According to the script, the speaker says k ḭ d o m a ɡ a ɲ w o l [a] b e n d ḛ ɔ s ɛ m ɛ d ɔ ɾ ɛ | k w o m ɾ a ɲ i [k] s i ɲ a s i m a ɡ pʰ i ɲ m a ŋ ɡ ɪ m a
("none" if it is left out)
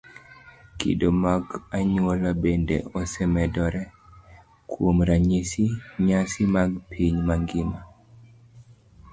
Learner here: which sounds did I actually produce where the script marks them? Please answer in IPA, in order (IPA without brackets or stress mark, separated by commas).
a, none